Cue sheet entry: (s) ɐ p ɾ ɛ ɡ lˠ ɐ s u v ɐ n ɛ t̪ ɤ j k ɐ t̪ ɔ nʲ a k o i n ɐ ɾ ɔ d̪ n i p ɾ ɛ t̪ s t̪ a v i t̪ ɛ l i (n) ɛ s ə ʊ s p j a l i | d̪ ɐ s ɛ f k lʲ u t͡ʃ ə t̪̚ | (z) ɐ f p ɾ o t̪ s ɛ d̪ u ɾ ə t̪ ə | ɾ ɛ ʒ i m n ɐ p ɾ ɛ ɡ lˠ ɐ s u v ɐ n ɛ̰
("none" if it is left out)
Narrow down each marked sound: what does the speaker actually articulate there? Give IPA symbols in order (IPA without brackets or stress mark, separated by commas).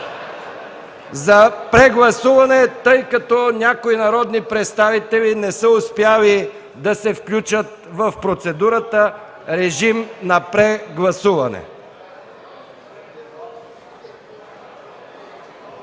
z, n, v